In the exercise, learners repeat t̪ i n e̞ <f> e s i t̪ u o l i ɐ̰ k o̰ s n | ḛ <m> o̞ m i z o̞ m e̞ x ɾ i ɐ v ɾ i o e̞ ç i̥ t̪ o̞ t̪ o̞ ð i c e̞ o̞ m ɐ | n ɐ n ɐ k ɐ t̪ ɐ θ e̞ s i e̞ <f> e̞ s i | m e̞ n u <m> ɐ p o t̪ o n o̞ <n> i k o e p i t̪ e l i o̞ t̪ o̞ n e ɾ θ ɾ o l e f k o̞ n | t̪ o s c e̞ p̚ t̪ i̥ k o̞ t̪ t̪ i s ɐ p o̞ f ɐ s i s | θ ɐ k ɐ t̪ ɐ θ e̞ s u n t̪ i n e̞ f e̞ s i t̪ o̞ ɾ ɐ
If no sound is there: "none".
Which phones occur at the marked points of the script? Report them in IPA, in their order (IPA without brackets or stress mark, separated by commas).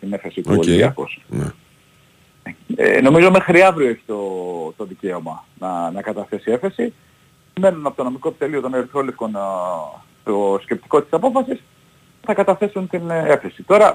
f, n, f, n, m